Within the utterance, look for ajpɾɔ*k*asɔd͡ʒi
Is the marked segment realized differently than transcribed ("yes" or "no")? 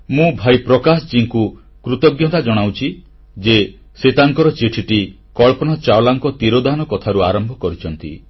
no